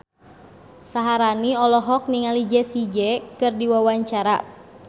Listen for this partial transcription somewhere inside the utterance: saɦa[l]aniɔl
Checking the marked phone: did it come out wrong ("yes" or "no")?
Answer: yes